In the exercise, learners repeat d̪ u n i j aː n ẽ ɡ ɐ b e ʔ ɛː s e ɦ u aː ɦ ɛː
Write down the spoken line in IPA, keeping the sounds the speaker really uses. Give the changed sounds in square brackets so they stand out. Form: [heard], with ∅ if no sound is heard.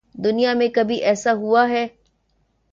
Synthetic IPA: d̪ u n i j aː [m] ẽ [k] ɐ b [i] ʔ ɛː s [a] ɦ u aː ɦ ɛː